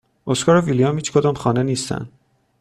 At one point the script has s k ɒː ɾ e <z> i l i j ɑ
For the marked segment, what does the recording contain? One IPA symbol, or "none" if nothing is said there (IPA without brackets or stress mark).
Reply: v